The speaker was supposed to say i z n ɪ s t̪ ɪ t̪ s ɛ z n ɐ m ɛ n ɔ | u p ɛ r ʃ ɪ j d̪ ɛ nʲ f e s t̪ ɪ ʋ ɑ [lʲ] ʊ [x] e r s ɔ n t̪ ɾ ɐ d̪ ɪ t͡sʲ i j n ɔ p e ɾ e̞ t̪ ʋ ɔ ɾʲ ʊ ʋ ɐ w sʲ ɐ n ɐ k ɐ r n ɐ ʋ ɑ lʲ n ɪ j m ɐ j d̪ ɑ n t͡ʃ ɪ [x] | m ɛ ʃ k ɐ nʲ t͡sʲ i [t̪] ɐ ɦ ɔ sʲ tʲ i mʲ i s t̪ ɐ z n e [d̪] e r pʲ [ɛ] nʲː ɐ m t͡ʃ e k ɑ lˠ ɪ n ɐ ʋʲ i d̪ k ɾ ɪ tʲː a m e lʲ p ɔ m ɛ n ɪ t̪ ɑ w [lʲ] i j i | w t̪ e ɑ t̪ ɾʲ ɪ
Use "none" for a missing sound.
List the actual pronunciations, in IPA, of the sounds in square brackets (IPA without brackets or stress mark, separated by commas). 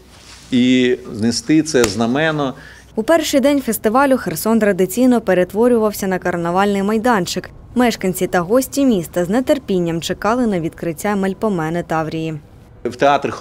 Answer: lʲ, x, k, t̪, t̪, i, ɾʲ